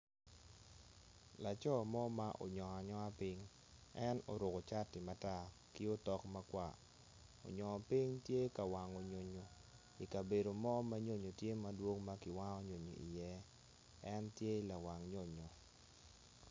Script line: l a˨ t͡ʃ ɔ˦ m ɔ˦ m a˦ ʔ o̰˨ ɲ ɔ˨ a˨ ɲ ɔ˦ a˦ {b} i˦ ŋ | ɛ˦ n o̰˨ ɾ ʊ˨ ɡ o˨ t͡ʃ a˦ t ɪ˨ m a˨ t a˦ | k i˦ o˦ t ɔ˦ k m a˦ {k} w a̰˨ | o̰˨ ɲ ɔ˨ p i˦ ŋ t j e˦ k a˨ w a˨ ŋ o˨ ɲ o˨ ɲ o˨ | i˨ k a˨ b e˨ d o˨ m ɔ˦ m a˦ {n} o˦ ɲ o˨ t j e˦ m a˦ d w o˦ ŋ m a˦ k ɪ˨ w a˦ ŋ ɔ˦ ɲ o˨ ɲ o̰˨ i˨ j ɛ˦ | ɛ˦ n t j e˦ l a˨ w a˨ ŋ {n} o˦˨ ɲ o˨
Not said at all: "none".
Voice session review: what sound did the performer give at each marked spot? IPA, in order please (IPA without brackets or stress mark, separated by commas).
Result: p, k, ɲ, ɲ